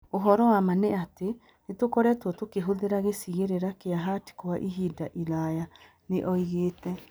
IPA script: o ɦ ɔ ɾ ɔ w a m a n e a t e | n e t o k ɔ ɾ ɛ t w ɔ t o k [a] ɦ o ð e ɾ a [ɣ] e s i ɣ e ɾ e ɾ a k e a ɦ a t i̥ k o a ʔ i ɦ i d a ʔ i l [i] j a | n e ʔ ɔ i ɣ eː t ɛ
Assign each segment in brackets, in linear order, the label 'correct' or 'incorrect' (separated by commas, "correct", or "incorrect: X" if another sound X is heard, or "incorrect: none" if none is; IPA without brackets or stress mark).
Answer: incorrect: e, correct, incorrect: a